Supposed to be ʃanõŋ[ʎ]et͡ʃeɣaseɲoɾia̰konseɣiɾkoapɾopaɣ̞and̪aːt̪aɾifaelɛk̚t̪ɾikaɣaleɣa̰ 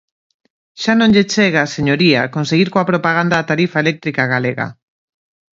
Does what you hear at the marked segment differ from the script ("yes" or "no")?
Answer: no